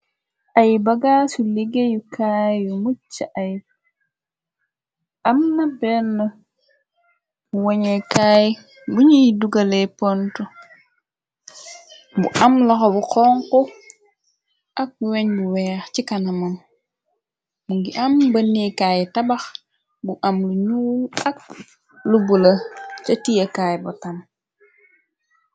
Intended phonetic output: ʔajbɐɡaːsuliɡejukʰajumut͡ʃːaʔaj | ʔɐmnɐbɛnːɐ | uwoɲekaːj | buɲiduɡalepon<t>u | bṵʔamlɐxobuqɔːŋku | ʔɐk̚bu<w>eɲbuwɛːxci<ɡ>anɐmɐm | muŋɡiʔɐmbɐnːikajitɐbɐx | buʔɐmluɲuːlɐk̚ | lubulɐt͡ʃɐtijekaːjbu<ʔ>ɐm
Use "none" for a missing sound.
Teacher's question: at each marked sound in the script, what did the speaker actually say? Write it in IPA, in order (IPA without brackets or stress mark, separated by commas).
t, w, k, t